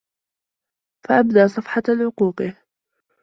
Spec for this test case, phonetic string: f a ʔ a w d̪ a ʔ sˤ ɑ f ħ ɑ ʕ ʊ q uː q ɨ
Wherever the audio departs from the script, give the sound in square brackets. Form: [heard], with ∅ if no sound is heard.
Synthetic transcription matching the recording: f a ʔ a [b] d̪ a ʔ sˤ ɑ f ħ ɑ ʕ ʊ q uː q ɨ